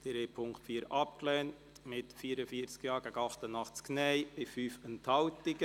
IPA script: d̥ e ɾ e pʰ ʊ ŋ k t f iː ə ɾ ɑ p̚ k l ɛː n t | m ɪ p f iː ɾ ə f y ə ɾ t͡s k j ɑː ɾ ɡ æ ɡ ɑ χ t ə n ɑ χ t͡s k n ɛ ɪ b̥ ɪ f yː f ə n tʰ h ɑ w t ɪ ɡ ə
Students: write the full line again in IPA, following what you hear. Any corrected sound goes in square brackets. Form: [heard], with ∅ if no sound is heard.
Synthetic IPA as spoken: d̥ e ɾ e pʰ ʊ ŋ k t f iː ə ɾ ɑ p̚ k l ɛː n t | m ɪ [t] f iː ɾ ə f [i] ə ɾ t͡s k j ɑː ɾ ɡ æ ɡ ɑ χ t ə n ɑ χ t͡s k n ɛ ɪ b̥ ɪ f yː f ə n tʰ h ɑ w t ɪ ɡ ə